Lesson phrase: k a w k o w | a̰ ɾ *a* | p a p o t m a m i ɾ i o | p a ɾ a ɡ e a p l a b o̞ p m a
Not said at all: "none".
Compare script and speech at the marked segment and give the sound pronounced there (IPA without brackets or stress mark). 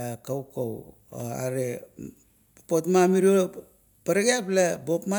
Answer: e